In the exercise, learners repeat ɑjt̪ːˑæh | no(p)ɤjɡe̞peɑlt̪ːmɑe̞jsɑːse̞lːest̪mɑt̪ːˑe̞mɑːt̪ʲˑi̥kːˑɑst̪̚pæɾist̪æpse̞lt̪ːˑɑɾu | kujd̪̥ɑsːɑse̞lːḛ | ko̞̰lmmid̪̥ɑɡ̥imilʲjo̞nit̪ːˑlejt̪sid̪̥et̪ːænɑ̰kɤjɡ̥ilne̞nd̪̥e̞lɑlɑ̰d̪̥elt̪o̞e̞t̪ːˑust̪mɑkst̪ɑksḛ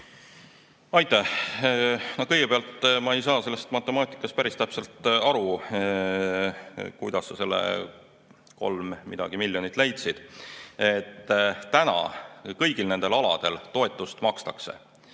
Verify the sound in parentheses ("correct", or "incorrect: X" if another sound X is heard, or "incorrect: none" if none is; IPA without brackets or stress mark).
incorrect: k